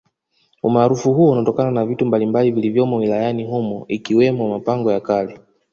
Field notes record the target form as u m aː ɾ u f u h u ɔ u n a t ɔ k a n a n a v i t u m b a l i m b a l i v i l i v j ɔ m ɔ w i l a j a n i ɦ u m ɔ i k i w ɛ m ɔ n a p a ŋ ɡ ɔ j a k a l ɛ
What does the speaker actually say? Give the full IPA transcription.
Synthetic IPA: u m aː ɾ u f u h u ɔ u n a t ɔ k a n a n a v i t u m b a l i m b a l i v i l i v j ɔ m ɔ w i l a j a n i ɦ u m ɔ i k i w ɛ m ɔ m a p a ŋ ɡ ɔ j a k a l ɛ

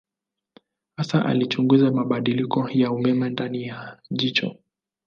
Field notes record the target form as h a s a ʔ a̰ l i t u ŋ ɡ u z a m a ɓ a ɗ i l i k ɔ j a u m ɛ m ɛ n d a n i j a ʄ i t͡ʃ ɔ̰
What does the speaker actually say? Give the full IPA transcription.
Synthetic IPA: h a s a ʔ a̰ l i t͡ʃ u ŋ ɡ u z a m a ɓ a ɗ i l i k ɔ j a u m ɛ m ɛ n d a n i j a ʄ i t͡ʃ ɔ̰

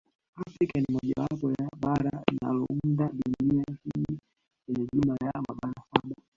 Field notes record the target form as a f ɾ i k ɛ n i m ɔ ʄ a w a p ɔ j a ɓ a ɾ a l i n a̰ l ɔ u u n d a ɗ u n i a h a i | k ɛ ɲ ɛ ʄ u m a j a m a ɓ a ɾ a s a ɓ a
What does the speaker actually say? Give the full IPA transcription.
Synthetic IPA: a f ɾ i k a n i m ɔ ʄ a w a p ɔ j a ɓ a ɾ a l i n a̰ l ɔ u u n d a ɗ u n i a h i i | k ɛ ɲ ɛ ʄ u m a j a m a ɓ a ɾ a s a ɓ a

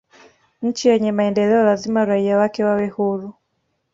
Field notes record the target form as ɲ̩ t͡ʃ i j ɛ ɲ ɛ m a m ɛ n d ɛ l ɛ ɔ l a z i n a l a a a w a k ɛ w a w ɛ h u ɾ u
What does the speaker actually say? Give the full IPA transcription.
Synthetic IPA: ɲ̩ t͡ʃ i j ɛ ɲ ɛ m a ɛ n d ɛ l ɛ ɔ l a z i m a ɾ a i a w a k ɛ w a w ɛ h u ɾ u

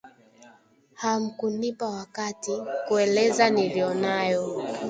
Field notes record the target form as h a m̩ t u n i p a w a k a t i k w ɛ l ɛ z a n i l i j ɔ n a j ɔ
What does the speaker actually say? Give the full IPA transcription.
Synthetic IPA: h a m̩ k u n i p a w a k a t i k u ɛ l ɛ z a n i l i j ɔ n a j ɔ

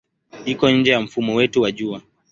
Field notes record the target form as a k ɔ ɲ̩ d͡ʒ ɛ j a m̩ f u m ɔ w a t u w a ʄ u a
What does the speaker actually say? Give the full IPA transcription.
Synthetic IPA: i k ɔ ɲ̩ d͡ʒ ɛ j a m̩ f u m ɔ w ɛ t u w a ʄ u a

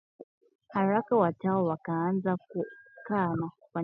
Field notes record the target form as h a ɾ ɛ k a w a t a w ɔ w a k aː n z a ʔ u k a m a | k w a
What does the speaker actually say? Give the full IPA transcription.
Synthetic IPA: h a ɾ a k a w a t a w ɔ w a k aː n z a k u k a m a | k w a

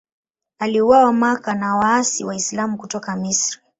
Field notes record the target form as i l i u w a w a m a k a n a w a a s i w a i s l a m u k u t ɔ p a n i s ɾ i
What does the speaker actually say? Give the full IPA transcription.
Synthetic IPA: a l i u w a w a m a k a n a w a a s i w a i s l a m u k u t ɔ k a m i s ɾ i

